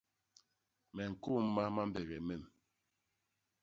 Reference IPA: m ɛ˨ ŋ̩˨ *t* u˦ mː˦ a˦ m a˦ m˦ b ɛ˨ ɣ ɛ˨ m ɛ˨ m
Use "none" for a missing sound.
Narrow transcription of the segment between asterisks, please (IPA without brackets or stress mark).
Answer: k